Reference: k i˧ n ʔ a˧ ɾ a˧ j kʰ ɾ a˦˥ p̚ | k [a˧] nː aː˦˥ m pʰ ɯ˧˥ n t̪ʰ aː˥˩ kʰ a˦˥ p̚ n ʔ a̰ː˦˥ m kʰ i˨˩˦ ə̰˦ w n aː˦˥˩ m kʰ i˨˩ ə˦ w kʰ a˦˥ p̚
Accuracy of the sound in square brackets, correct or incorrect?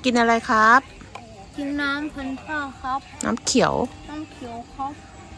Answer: incorrect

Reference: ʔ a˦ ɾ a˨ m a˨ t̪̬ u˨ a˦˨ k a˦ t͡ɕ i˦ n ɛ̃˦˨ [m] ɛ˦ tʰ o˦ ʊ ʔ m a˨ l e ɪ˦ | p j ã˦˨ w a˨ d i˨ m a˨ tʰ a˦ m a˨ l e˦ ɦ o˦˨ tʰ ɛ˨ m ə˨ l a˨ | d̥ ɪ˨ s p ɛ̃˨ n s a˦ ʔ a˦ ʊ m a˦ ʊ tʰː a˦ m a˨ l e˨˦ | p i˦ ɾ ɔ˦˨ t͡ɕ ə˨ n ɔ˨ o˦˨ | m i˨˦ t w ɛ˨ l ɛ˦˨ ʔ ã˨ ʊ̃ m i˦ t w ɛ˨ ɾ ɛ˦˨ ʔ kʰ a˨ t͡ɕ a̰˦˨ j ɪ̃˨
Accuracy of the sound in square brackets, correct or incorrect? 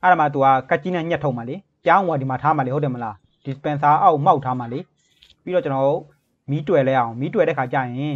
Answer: incorrect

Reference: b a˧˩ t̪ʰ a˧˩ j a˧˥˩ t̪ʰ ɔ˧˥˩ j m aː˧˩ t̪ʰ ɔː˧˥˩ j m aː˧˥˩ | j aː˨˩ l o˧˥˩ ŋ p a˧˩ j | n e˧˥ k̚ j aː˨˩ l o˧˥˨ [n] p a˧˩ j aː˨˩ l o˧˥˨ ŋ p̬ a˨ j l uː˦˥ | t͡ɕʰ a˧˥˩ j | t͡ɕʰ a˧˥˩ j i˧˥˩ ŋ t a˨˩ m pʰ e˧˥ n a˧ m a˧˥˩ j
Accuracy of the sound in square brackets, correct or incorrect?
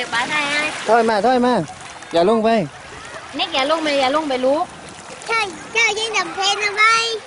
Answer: incorrect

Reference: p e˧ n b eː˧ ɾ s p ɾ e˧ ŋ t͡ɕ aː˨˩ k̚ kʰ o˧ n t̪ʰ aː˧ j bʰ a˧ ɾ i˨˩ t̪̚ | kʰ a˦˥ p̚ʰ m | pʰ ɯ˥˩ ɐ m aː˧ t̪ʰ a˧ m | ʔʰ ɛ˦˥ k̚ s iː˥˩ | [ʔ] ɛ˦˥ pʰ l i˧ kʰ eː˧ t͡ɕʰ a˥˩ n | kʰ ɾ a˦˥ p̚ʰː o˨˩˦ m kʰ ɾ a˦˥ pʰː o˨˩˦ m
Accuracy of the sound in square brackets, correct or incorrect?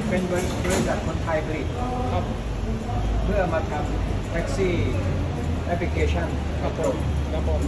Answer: correct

